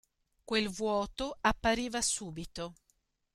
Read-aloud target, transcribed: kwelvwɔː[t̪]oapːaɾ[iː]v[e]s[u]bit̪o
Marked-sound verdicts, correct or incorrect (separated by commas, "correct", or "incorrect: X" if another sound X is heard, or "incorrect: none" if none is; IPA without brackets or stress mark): correct, correct, incorrect: a, incorrect: uː